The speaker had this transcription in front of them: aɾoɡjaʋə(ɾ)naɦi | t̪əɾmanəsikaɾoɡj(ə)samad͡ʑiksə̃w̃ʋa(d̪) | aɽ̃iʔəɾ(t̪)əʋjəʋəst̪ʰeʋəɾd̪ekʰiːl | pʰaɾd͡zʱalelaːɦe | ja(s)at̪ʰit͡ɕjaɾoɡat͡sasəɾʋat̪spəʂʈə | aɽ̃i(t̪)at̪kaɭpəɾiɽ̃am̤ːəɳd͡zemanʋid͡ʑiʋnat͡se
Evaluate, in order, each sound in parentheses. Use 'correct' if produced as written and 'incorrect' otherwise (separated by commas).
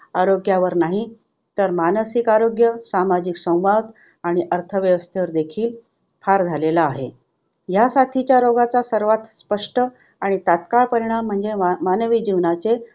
correct, correct, correct, incorrect, correct, correct